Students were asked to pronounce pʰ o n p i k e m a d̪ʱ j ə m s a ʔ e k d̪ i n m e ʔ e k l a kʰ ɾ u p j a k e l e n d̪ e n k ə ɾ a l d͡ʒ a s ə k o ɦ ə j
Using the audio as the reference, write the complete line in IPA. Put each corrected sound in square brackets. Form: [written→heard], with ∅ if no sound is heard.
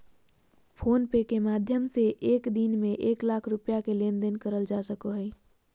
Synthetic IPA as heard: pʰ o n p [i→e] k e m a d̪ʱ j ə m s [a→e] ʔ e k d̪ i n m e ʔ e k l a kʰ ɾ u p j a k e l e n d̪ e n k ə ɾ [a→ə] l d͡ʒ a s ə k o ɦ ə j